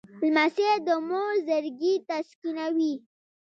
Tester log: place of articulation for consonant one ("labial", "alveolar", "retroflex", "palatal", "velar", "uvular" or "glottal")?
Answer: alveolar